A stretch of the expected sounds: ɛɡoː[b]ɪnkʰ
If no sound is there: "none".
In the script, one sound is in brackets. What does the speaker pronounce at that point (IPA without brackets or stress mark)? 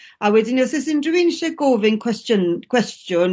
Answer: v